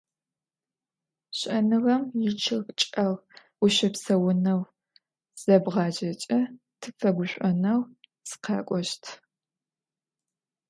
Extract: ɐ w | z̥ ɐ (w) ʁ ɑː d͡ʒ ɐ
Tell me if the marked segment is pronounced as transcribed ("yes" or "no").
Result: no